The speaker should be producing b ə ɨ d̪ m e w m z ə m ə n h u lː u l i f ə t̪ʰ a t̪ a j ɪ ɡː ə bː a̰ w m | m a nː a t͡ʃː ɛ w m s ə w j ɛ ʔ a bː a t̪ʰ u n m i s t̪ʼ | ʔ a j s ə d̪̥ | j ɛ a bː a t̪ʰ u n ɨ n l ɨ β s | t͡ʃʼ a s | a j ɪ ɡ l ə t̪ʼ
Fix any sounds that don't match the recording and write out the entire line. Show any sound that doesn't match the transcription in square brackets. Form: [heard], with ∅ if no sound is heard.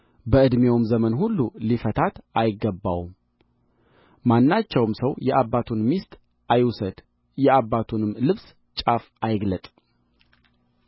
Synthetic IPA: b ə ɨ d̪ m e w m z ə m ə n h u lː u l i f ə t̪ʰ a t̪ a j ɪ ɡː ə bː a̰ w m | m a nː a t͡ʃː ɛ w m s ə w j ɛ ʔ a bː a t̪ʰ u n m i s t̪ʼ | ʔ a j s ə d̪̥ | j ɛ a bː a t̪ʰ u n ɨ [m] l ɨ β s | t͡ʃʼ a [f] | a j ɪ ɡ l ə t̪ʼ

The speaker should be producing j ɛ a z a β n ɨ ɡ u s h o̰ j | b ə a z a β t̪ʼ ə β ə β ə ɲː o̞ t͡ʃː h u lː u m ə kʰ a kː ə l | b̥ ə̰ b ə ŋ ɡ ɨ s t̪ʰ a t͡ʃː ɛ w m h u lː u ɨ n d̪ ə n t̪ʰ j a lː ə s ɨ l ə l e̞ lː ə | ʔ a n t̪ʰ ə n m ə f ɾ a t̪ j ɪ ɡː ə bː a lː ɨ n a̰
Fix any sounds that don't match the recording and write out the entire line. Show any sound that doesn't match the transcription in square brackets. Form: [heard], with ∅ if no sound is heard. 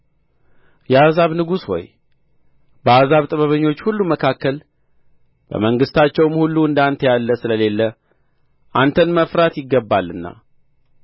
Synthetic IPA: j ɛ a z a β n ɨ ɡ u s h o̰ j | b ə a z a β t̪ʼ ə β ə β ə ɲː o̞ t͡ʃː h u lː u m ə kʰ a kː ə l | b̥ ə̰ [m] ə ŋ ɡ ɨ s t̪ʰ a t͡ʃː ɛ w m h u lː u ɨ n d̪ [a] n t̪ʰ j a lː ə s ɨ l ə l e̞ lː ə | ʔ a n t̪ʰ ə n m ə f ɾ a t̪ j ɪ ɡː ə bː a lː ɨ [nː] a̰

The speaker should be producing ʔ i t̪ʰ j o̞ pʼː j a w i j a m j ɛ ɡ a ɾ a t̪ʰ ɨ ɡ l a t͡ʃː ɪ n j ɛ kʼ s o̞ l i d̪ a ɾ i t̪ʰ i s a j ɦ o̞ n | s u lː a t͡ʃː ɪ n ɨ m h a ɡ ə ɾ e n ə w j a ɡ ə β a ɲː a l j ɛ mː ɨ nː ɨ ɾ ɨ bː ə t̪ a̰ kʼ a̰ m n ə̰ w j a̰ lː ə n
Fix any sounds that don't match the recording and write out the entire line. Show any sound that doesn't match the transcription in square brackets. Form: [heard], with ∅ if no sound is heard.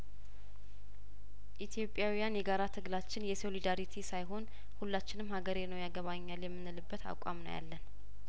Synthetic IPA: ʔ i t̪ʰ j o̞ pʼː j a w i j a [n] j ɛ ɡ a ɾ a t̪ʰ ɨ ɡ l a t͡ʃː ɪ n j ɛ [∅] s o̞ l i d̪ a ɾ i t̪ʰ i s a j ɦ o̞ n | [h] u lː a t͡ʃː ɪ n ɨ m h a ɡ ə ɾ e n ə w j a ɡ ə β a ɲː a l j ɛ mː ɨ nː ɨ [l] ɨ bː ə t̪ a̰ kʼ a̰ m n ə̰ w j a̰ lː ə n

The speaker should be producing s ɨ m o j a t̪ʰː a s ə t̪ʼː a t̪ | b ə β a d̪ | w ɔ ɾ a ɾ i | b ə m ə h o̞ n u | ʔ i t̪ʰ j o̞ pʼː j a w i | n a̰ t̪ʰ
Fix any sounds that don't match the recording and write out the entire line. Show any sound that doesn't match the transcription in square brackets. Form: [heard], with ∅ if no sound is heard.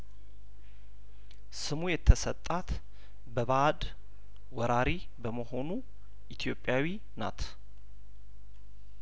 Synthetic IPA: s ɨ m [u] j [ɛ] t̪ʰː [ə] s ə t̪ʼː a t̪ | b ə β a d̪ | w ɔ ɾ a ɾ i | b ə m ə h o̞ n u | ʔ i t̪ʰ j o̞ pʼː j a w i | n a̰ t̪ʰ

